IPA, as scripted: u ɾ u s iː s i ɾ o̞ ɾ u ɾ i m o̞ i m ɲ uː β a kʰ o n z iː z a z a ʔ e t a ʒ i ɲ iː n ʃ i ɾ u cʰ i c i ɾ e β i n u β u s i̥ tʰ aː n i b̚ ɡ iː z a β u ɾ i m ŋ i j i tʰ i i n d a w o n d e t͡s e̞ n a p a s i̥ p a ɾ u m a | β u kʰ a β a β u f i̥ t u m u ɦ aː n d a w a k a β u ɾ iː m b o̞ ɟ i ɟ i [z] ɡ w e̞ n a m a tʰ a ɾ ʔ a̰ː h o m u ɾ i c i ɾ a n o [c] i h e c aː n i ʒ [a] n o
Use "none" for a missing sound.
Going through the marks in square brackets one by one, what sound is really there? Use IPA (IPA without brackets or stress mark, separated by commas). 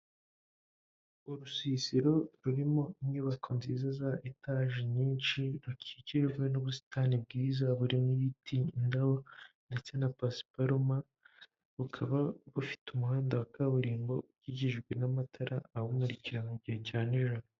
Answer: ʒ, ɟ, a